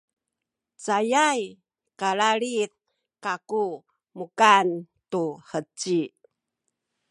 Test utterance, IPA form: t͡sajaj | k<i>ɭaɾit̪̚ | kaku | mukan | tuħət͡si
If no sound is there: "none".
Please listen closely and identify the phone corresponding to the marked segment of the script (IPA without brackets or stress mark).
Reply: a